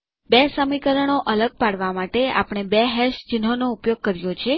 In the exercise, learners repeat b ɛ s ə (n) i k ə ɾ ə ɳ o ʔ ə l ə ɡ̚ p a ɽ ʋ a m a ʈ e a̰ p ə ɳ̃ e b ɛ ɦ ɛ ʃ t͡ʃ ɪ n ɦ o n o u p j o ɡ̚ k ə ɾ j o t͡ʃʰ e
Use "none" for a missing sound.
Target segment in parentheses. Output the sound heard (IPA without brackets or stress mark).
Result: m